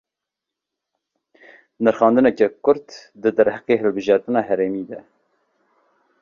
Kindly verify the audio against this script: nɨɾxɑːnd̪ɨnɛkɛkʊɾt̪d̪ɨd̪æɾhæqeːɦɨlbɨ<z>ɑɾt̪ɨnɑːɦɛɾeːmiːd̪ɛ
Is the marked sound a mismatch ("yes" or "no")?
yes